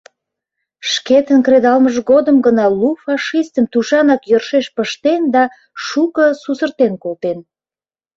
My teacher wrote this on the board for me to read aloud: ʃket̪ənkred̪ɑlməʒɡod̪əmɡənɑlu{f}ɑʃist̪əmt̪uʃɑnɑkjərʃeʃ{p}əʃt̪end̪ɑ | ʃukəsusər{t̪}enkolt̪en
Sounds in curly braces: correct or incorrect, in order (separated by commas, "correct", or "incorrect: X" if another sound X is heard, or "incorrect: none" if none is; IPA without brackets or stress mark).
correct, correct, correct